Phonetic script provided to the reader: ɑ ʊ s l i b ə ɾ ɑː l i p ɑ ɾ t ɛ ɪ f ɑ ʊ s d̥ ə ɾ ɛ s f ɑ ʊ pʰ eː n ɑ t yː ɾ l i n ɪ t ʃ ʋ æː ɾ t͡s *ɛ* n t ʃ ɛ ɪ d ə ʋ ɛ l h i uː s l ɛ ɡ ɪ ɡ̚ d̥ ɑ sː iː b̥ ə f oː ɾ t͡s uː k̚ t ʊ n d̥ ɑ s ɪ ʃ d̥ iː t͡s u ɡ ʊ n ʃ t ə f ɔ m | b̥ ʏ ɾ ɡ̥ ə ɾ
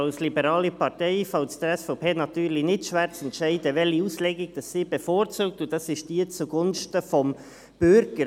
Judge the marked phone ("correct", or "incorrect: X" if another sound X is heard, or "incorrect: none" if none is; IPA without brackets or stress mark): correct